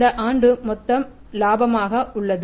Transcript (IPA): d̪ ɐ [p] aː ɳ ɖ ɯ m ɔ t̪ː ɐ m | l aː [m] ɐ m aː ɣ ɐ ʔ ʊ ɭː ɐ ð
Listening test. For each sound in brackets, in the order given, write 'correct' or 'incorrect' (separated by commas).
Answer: incorrect, incorrect